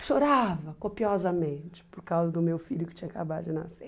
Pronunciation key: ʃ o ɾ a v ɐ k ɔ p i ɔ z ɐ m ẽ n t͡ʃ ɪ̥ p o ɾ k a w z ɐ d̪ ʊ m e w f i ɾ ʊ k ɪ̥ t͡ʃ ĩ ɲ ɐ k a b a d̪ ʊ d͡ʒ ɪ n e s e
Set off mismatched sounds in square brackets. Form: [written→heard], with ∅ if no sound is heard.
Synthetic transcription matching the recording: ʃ o ɾ a v ɐ k [ɔ→o] p i ɔ z ɐ m ẽ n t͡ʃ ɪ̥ p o ɾ k a w z ɐ d̪ ʊ m e w f i [ɾ→ʎ] ʊ k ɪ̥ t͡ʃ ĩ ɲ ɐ k a b a d̪ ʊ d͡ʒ ɪ n [e→a] s e